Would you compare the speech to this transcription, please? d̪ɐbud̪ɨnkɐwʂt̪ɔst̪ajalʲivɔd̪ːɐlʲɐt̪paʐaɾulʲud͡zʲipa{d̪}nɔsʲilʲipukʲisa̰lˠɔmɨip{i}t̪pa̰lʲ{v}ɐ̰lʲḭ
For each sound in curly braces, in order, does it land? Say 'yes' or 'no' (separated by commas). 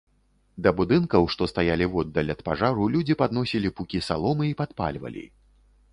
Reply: yes, no, yes